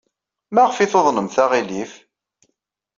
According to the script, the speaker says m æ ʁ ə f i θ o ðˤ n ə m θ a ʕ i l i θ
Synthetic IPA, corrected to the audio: m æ ʁ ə f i θ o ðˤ n ə m θ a ʁ i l i f